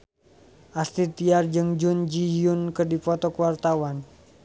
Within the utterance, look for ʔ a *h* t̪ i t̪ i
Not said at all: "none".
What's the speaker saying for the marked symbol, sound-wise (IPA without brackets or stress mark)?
s